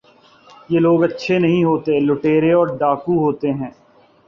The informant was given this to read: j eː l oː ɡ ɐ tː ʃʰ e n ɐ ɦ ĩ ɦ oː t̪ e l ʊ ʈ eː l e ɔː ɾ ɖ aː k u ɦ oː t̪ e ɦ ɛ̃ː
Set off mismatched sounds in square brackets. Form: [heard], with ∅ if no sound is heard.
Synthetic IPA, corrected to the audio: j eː l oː ɡ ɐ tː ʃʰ e n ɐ ɦ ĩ ɦ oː t̪ e l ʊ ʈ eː [ɾ] e ɔː ɾ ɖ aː k u ɦ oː t̪ e ɦ ɛ̃ː